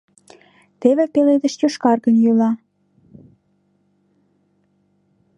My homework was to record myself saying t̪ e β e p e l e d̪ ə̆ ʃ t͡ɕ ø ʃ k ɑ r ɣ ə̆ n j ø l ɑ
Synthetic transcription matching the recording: t̪ e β e p e l e d̪ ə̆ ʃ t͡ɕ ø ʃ k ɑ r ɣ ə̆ n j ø l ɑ